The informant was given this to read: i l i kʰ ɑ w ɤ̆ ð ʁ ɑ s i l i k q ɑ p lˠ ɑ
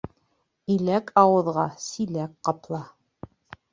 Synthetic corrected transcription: i l æ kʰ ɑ w ɤ̆ ð ʁ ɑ s i l æ k q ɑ p lˠ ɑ

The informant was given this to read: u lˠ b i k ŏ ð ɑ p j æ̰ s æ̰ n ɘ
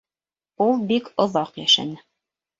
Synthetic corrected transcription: u lˠ b i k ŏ ð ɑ q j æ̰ ʃ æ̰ n ɘ

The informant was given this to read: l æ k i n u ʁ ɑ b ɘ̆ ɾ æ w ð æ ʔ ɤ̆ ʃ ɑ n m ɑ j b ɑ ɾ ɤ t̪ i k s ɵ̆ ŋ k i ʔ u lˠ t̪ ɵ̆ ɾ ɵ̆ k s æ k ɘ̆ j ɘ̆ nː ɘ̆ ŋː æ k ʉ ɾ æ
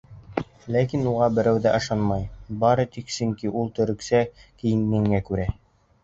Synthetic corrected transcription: l æ k i n u ʁ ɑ b ɘ̆ ɾ æ w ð æ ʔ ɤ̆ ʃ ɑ n m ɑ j b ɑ ɾ ɤ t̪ i k s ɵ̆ ŋ k i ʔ u lˠ t̪ ɵ̆ ɾ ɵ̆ k s æ k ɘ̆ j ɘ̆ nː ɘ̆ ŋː æ k ʉ ɾ æ

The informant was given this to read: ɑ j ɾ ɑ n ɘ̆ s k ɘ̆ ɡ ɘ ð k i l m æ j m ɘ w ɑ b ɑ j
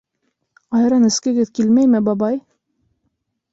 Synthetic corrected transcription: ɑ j ɾ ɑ n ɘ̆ s k ɘ̆ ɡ ɘ ð k i l m æ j m ɘ b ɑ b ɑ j

